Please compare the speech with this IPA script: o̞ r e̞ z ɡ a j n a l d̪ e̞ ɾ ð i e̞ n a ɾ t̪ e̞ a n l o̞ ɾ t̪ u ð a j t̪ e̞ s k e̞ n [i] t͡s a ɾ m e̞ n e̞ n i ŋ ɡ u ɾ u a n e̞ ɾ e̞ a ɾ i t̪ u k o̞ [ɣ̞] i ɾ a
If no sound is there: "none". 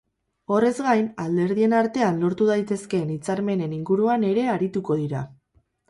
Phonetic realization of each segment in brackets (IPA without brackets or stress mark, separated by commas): i, ð̞